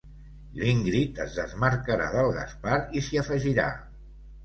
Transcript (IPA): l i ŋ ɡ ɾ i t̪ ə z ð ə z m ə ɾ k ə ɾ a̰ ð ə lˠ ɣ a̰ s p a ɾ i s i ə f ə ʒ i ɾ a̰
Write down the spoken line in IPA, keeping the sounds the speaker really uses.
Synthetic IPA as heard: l i ŋ ɡ ɾ i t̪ ə z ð ə z m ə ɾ k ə ɾ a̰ ð ə lˠ ɣ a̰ s p a ɾ i s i ə f ə ʒ i ɾ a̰

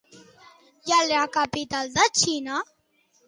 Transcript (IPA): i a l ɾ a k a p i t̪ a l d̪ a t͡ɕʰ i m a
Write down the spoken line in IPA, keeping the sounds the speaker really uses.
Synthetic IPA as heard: j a l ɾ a k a p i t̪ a l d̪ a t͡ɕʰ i n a

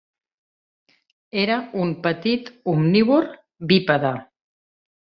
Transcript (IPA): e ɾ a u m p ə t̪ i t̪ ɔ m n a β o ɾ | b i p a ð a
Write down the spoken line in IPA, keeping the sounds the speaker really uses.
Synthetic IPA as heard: e ɾ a u m p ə t̪ i t̪ u m n i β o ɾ | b i p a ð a

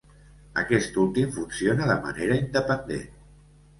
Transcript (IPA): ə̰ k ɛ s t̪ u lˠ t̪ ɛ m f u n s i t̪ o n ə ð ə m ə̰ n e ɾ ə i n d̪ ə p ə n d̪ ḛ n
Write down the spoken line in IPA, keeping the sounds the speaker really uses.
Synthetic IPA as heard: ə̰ k ɛ s t̪ u lˠ t̪ i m f u n s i o n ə ð ə m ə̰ n e ɾ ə i n d̪ ə p ə n d̪ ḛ n

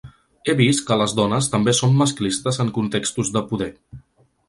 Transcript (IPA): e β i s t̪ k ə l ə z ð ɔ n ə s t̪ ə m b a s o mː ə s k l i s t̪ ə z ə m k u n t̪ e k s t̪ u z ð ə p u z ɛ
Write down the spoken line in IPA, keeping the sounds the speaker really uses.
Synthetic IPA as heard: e β i s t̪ k ə l ə z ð ɔ n ə s t̪ ə m b e s o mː ə s k l i s t̪ ə z ə ŋ k u n t̪ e k s t̪ u z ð ə p u ð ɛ

